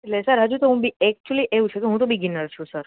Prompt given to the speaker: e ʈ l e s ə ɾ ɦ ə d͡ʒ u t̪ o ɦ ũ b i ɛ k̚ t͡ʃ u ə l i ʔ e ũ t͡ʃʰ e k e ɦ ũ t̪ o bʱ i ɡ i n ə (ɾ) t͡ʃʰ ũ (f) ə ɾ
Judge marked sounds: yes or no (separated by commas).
yes, no